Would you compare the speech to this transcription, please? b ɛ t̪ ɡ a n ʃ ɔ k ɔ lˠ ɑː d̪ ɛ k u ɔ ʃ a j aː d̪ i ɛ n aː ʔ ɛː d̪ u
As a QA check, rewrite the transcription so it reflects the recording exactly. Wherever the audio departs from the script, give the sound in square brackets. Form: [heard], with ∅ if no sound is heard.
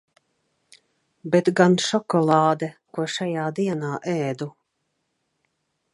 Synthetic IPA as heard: b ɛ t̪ ɡ a n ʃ ɔ k ɔ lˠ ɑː d̪ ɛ k u ɔ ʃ a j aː d̪ i ɛ n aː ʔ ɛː d̪ u